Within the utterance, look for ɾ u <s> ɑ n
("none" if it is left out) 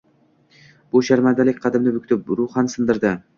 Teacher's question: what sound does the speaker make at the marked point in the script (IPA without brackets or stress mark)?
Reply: χ